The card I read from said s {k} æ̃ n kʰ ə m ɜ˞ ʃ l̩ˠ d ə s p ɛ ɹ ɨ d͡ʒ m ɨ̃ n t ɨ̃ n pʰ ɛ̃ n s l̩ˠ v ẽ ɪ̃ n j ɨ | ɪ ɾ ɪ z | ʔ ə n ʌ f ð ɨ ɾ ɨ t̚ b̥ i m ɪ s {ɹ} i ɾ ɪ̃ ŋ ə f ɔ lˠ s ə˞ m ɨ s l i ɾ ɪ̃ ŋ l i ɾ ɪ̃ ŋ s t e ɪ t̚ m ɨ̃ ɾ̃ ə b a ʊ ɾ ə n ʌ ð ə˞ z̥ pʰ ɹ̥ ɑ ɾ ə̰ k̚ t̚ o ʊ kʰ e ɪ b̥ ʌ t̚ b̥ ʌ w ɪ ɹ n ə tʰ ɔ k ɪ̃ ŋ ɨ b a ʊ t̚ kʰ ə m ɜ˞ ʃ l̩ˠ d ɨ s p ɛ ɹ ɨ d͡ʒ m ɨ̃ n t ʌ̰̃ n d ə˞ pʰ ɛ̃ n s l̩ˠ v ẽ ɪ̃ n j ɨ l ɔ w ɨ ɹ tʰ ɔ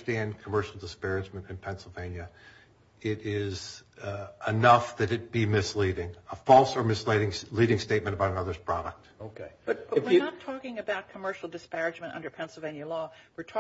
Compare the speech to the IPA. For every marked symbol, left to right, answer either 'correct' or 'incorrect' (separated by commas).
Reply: incorrect, incorrect